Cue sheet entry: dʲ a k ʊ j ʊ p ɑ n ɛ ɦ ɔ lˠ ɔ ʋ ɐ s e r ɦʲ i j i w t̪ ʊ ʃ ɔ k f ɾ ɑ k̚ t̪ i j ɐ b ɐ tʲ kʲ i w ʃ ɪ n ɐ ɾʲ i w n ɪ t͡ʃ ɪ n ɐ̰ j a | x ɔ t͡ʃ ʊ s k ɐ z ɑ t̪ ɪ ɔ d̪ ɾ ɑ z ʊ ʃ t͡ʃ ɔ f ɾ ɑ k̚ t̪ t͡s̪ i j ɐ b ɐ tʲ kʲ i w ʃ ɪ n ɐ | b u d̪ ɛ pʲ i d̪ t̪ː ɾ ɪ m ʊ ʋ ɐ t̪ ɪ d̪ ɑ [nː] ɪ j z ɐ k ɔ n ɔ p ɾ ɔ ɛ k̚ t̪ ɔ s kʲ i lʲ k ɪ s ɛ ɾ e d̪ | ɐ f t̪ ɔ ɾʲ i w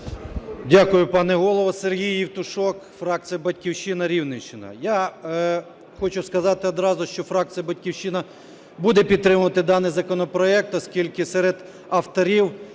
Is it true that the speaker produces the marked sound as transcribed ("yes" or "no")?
no